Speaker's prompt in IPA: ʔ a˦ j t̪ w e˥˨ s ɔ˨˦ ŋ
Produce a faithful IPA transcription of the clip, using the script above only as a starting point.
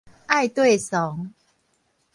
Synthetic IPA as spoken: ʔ a˥˨ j t̪ w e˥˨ s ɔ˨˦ ŋ